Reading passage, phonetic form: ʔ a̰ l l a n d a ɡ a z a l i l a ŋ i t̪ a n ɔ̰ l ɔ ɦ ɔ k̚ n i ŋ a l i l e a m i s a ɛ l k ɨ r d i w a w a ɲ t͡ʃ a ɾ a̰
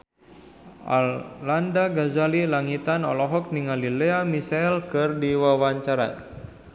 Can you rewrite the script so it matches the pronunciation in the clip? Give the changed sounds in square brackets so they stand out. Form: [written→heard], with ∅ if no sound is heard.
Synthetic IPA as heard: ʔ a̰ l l a n d a ɡ a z a l i l a ŋ i t̪ a n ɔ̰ l ɔ ɦ ɔ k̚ n i ŋ a l i l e a m i s a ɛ l k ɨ r d i w a w a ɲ t͡ʃ a ɾ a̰